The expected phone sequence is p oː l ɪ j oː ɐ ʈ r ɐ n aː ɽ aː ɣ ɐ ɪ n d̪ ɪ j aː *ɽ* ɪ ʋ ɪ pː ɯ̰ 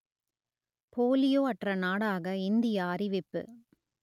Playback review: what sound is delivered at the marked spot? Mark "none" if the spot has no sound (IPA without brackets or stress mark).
ɾ